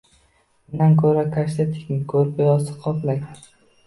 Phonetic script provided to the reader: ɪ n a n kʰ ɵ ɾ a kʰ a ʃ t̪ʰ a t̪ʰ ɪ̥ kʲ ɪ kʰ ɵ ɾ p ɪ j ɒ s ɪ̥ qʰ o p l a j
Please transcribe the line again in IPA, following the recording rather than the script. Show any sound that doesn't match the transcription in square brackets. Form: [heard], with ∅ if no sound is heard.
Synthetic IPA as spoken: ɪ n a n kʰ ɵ ɾ a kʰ a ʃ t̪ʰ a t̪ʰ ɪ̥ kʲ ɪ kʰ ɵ ɾ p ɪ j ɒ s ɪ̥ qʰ [ɒ] p l a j